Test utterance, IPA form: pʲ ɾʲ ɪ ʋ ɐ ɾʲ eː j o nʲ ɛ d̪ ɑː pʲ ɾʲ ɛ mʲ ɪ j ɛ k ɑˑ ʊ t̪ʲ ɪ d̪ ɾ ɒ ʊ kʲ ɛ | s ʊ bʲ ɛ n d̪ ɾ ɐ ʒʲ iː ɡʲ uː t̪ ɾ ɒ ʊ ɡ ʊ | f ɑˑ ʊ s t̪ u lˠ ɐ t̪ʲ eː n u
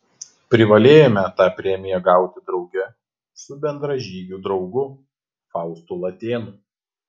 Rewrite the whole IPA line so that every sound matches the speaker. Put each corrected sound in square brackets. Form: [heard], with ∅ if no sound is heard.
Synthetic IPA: pʲ ɾʲ ɪ ʋ ɐ [lʲ] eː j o [mʲ] ɛ [t̪] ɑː pʲ ɾʲ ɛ mʲ ɪ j ɛ [ɡ] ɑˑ ʊ t̪ʲ ɪ d̪ ɾ ɒ ʊ [ɡʲ] ɛ | s ʊ bʲ ɛ n d̪ ɾ ɐ ʒʲ iː ɡʲ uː [d̪] ɾ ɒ ʊ ɡ ʊ | f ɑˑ ʊ s t̪ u lˠ ɐ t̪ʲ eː n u